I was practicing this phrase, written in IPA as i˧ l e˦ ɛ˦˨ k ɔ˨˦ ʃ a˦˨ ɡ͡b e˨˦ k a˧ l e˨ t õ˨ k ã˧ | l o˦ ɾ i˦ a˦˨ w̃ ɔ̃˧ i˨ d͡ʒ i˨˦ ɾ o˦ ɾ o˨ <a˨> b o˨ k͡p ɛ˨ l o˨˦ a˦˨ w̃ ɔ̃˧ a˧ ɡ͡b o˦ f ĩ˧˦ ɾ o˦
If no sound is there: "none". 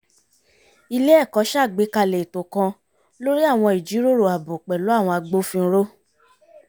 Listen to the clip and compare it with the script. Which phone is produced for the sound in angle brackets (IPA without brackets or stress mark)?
a˨